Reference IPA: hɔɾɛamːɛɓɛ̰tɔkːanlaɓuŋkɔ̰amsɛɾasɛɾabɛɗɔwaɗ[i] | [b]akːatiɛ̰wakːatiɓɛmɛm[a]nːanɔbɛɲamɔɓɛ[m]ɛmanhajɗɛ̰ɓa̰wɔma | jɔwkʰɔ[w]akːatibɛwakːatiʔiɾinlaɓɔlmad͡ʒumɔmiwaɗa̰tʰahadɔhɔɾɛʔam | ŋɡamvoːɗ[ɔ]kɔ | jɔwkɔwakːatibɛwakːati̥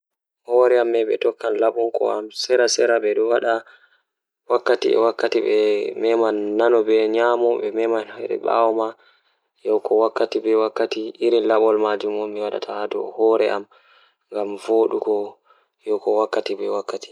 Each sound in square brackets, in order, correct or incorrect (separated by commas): incorrect, incorrect, correct, correct, correct, incorrect